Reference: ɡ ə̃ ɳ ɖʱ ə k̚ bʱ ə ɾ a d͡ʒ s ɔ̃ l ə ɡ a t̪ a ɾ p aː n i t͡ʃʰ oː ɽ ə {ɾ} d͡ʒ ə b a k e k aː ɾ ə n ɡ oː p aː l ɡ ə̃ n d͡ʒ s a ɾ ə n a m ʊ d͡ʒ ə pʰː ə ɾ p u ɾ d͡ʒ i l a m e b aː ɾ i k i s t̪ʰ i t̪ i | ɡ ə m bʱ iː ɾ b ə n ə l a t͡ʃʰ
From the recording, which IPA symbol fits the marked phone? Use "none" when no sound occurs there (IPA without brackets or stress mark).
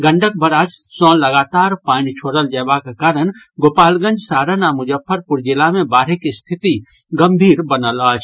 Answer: l